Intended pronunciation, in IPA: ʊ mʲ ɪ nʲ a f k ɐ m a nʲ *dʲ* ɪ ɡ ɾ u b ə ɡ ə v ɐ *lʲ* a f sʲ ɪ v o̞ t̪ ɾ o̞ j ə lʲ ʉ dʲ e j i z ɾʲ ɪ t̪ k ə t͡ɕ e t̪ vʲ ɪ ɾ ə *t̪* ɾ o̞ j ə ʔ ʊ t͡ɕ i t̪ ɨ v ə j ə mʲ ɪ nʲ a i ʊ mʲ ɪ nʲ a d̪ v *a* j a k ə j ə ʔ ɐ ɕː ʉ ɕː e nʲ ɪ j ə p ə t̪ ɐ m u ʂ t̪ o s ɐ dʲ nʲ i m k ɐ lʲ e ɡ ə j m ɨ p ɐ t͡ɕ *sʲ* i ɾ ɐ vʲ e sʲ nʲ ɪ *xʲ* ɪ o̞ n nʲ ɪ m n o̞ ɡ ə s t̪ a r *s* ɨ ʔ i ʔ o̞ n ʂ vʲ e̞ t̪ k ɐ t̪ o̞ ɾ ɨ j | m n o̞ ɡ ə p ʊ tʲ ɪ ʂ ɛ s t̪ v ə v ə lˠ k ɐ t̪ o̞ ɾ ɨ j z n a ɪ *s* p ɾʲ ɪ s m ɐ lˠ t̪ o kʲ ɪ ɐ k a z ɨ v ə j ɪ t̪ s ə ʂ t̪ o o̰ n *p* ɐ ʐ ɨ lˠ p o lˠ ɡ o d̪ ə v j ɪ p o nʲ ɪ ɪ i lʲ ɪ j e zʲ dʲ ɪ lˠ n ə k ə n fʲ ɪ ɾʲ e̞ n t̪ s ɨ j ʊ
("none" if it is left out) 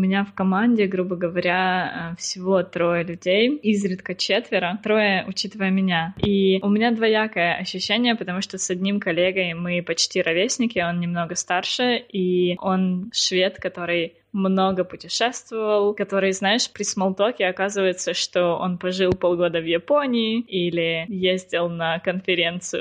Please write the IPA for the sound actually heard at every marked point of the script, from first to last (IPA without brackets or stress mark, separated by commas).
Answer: dʲ, ɾʲ, t̪, ɐ, tʲ, kʲ, ʂ, ʂ, p